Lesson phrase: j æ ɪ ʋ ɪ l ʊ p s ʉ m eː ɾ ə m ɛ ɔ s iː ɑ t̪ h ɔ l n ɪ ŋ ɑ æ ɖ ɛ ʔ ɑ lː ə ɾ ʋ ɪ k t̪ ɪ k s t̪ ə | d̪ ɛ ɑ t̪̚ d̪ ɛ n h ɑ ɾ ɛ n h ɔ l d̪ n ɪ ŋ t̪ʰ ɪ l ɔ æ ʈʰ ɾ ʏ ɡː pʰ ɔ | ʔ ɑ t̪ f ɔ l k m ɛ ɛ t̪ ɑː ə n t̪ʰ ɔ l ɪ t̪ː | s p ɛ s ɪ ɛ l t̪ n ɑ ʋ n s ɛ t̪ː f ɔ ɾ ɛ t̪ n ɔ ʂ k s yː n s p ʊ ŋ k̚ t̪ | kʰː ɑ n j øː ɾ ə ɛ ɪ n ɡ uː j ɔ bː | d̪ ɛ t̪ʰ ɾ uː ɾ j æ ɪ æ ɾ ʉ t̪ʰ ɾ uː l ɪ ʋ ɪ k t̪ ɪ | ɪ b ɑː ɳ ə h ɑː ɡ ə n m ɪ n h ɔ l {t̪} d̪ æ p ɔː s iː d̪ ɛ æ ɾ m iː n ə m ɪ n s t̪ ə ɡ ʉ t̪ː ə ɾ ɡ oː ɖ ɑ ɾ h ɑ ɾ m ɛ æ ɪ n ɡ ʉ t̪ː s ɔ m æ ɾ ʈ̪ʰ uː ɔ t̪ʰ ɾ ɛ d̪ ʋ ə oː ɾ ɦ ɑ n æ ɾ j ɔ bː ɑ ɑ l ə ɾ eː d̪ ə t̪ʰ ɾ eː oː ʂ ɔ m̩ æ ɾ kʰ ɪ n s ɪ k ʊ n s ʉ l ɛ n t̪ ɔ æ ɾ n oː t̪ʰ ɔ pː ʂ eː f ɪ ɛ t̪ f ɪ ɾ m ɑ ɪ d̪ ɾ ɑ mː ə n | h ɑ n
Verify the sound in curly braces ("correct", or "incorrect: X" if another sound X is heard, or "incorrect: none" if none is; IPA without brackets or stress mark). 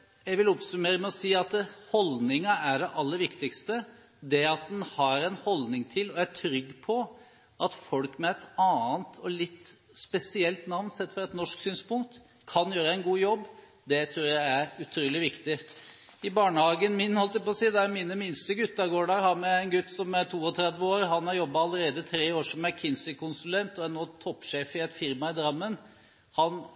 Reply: correct